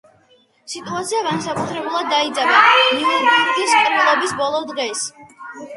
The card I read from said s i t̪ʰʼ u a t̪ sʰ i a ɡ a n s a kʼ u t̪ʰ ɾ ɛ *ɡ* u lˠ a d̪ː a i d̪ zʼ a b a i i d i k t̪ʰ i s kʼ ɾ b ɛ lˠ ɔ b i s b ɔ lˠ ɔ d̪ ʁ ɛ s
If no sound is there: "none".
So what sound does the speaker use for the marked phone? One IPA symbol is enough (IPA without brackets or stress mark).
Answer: b